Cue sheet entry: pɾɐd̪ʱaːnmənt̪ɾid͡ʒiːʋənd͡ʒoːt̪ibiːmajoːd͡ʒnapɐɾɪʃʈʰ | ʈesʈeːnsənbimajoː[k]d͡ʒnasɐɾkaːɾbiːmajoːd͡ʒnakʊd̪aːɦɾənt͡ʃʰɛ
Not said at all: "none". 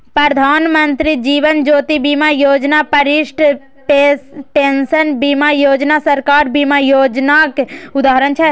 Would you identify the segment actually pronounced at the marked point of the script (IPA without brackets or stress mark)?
none